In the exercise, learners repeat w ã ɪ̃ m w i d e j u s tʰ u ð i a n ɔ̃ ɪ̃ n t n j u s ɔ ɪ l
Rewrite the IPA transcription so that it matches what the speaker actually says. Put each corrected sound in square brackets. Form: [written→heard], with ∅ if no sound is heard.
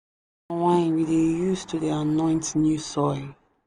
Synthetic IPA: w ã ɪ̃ [m→n] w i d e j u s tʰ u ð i a n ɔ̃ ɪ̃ n t n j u s ɔ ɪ l